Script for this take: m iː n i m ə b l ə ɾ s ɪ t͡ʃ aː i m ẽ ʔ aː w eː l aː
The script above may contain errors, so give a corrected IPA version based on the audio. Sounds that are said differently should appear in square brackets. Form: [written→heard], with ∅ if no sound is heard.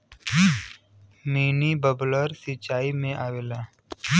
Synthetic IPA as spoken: m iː n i [m→b] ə b l ə ɾ s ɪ t͡ʃ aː i m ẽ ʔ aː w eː l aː

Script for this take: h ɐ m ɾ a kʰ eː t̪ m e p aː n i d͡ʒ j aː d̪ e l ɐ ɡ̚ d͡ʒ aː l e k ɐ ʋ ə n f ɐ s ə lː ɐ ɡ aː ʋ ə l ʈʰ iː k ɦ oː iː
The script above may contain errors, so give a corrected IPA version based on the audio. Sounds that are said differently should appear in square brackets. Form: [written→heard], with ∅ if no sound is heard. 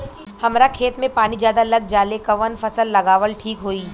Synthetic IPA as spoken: h ɐ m ɾ a kʰ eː t̪ m [e→ẽ] p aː n i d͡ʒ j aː d̪ [e→a] l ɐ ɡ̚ d͡ʒ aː l e k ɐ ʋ ə n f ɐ s ə lː ɐ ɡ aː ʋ ə l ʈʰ iː k ɦ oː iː

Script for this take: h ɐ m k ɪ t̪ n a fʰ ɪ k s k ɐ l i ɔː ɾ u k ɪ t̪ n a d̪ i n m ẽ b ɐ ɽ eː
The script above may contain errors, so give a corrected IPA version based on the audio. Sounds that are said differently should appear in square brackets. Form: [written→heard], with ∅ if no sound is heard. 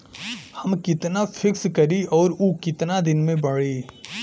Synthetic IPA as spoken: h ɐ m k ɪ t̪ n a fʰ ɪ k s k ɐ [l→ɾ] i ɔː ɾ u k ɪ t̪ n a d̪ [i→ɪ] n m ẽ b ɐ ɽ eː

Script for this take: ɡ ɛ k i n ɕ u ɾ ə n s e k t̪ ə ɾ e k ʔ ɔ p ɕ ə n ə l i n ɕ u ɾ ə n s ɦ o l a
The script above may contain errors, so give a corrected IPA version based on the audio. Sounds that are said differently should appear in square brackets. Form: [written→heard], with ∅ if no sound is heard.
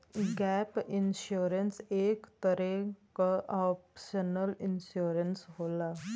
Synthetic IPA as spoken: ɡ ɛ [k→p] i n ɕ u ɾ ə n s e k t̪ ə ɾ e k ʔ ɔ p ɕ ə n ə l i n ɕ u ɾ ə n s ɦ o l a

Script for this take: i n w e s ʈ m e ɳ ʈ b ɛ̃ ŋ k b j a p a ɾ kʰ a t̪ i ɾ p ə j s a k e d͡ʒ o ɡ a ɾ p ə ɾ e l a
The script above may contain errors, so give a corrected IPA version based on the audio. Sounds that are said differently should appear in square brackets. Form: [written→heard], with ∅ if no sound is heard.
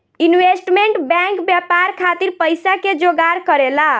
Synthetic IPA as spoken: i n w e s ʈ m e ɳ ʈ b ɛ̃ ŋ k b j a p a ɾ kʰ a t̪ i ɾ p ə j s a k e d͡ʒ o ɡ a ɾ [p→k] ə ɾ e l a

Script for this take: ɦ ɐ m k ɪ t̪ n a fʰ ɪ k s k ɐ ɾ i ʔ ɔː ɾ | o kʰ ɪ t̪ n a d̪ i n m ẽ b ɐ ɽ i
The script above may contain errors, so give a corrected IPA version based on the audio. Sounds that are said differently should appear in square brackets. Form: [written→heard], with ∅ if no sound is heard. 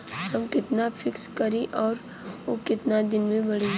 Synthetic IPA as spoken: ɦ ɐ m k ɪ t̪ n a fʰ ɪ k s k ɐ ɾ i ʔ ɔː ɾ | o [kʰ→k] ɪ t̪ n a d̪ [i→ɪ] n m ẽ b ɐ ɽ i

